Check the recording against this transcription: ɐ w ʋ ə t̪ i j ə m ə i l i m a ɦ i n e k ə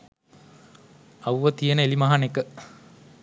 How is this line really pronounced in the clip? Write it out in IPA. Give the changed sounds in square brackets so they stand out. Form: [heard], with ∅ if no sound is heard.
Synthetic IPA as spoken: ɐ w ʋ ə t̪ i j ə [n] ə [e] l i m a ɦ [a] n e k ə